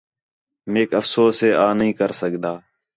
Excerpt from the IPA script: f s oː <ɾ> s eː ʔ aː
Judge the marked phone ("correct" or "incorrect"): incorrect